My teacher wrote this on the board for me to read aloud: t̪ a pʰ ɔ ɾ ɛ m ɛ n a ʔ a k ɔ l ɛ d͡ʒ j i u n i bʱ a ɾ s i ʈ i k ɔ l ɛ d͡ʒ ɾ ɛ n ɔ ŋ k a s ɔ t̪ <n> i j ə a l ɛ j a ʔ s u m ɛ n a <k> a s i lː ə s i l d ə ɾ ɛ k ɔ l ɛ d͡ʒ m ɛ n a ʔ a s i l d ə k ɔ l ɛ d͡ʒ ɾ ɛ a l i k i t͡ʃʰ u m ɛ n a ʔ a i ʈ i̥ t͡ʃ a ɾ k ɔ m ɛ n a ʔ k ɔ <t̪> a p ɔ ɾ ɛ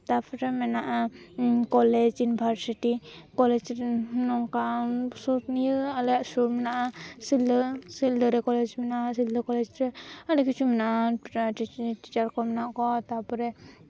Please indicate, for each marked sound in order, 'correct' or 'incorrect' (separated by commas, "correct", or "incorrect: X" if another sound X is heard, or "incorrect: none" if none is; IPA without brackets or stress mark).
correct, incorrect: ʔ, correct